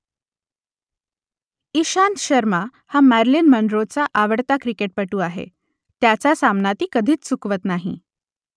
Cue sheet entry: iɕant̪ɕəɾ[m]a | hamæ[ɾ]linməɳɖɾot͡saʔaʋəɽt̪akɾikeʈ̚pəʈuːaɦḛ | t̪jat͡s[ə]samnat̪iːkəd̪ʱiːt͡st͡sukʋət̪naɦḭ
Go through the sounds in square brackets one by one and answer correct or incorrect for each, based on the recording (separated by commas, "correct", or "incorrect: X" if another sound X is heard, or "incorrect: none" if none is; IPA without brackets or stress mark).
correct, correct, incorrect: a